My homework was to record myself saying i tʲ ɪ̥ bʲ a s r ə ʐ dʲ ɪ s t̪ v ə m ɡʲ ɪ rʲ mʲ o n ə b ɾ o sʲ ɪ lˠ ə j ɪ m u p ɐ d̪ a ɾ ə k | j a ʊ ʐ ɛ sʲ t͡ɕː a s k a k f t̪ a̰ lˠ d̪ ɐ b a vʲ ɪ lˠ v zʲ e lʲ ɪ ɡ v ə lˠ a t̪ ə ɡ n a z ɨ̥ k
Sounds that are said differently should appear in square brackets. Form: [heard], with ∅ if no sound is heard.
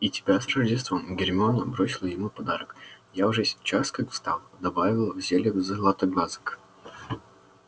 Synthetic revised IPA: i tʲ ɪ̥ bʲ a s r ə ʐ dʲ ɪ s t̪ v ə m ɡʲ ɪ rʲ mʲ o n ə b ɾ o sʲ ɪ lˠ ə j ɪ m u p ɐ d̪ a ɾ ə k | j a ʊ ʐ ɛ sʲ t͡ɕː a s k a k [s] t̪ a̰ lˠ d̪ ɐ b a vʲ ɪ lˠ v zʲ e lʲ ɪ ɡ [z] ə lˠ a t̪ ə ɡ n a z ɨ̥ k

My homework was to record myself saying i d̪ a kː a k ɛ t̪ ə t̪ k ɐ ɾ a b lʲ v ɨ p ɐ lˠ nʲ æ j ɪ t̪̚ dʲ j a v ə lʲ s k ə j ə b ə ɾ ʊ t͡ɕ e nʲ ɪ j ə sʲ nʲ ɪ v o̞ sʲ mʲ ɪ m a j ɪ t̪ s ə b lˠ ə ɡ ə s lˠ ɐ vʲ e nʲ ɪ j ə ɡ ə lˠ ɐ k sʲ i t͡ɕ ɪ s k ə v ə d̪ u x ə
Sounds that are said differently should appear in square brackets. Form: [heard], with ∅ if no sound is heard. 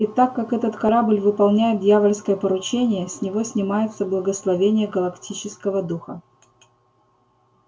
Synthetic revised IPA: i [t̪] a kː a k ɛ t̪ ə t̪ k ɐ ɾ a b lʲ v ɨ p ɐ lˠ nʲ æ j ɪ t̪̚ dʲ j a v ə lʲ s k ə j ə [p] ə ɾ ʊ t͡ɕ e nʲ ɪ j ə sʲ nʲ ɪ v o̞ sʲ [nʲ] ɪ m a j ɪ t̪ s ə b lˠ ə ɡ ə s lˠ ɐ vʲ e nʲ ɪ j ə ɡ ə lˠ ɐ k [tʲ] i t͡ɕ ɪ s k ə v ə d̪ u x ə

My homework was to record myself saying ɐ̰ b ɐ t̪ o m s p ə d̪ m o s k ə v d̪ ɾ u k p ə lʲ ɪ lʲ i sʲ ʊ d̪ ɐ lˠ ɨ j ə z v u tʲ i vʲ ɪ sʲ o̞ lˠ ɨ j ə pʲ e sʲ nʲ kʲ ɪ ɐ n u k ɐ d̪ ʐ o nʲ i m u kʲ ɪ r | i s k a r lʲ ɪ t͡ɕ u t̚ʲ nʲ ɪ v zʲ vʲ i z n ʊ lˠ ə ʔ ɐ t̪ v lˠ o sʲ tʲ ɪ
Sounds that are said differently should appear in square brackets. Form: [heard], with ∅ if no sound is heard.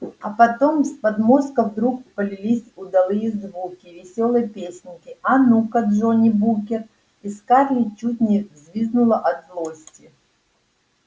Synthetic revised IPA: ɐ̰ [p] ɐ t̪ o m s p [ɐ] d̪ m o s k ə v d̪ ɾ u k p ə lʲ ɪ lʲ i sʲ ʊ d̪ ɐ lˠ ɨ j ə z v u [kʲ] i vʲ ɪ sʲ o̞ lˠ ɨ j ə pʲ e sʲ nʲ kʲ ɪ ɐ n u k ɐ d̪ ʐ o nʲ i [b] u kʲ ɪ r | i s k a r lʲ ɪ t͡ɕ u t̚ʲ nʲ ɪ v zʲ vʲ i z n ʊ lˠ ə ʔ ɐ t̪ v lˠ o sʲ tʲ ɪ

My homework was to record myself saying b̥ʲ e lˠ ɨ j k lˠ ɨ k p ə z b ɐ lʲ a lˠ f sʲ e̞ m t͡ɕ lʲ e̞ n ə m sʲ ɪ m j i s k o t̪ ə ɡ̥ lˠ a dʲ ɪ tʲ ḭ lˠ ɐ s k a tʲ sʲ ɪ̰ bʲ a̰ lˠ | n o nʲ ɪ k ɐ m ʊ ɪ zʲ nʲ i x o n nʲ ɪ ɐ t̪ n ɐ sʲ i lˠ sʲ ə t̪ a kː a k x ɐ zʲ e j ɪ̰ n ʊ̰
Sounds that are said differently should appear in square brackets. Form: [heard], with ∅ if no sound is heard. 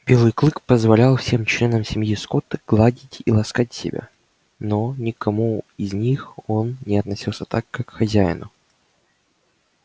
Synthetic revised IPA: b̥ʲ e lˠ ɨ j k lˠ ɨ k p ə z [v] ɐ lʲ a lˠ f sʲ e̞ m t͡ɕ lʲ e̞ n ə m sʲ ɪ m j i s k o t̪ ə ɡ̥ lˠ a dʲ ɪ tʲ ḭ lˠ ɐ s k a tʲ sʲ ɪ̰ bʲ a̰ [∅] | n o nʲ ɪ k ɐ m [u] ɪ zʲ nʲ i x o n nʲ ɪ ɐ t̪ n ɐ sʲ i lˠ sʲ ə t̪ a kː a k x ɐ zʲ [æ] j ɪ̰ n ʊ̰

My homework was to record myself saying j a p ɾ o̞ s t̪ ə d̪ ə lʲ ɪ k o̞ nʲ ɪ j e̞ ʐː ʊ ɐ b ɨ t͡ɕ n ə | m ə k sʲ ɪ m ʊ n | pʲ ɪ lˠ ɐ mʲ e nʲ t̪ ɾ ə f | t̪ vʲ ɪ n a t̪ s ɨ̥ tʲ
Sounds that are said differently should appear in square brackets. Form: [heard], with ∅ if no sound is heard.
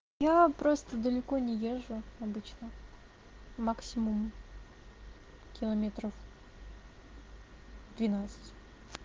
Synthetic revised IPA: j a p ɾ o̞ s t̪ ə d̪ ə lʲ ɪ k o̞ nʲ ɪ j e̞ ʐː ʊ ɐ b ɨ t͡ɕ n ə | m [a] k sʲ ɪ m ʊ [m] | [kʲ] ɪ lˠ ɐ mʲ e [∅] t̪ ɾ ə f | [d̪] vʲ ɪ n a t̪ s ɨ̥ tʲ

